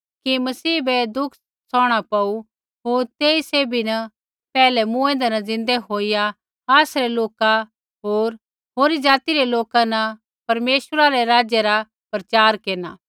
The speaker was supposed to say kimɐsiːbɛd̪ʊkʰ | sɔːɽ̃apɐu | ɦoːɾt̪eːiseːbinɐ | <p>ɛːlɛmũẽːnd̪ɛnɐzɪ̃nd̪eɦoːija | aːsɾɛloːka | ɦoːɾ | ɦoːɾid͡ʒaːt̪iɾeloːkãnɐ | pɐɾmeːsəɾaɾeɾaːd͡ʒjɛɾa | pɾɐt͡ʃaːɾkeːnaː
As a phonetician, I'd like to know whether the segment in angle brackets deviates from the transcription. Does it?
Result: no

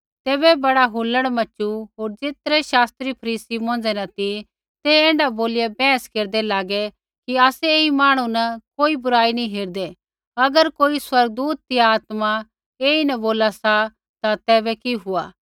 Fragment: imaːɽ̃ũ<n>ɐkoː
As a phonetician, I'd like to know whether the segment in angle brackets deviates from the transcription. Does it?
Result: no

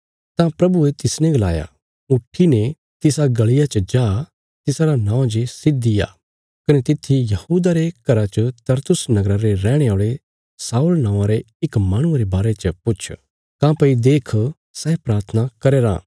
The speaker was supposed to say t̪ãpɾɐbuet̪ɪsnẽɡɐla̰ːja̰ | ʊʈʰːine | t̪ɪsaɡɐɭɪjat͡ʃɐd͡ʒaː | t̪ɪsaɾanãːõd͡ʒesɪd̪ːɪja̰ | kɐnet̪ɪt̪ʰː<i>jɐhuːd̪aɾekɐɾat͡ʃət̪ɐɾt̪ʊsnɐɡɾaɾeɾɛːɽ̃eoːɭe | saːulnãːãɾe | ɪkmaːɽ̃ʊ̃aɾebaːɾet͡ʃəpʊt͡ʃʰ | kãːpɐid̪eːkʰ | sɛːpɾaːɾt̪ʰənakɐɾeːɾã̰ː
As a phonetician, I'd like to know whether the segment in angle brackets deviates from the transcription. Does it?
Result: no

